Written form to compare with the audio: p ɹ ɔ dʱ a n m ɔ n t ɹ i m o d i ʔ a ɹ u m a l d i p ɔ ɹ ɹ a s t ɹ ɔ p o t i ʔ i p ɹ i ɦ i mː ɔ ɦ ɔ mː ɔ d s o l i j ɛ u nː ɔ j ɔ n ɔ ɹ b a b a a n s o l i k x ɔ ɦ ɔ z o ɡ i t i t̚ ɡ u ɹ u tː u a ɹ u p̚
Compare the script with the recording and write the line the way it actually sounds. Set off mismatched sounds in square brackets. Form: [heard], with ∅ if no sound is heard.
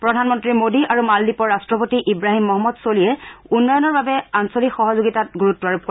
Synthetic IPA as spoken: p ɹ ɔ dʱ a n m ɔ n t ɹ i m o d i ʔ a ɹ u m a l d i p ɔ ɹ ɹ a s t ɹ ɔ p o t i ʔ i [b] ɹ [a] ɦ i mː ɔ ɦ ɔ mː ɔ d s o l i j ɛ u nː ɔ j ɔ n ɔ ɹ b a b [ɛ] a n s o l i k x ɔ ɦ ɔ z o ɡ i t [a] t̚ ɡ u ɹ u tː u a ɹ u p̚